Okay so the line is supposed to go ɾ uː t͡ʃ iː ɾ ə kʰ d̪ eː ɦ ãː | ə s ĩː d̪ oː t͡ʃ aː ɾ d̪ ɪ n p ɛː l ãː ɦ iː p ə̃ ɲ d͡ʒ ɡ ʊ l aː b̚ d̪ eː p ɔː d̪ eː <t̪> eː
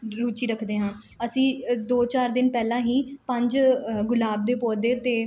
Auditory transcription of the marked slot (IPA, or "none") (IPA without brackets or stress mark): t̪